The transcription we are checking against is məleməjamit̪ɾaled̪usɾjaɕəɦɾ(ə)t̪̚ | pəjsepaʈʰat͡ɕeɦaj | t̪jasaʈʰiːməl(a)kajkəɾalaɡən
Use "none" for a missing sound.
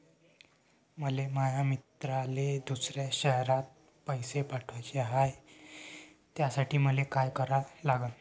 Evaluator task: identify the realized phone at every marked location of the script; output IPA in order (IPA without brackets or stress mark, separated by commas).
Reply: a, e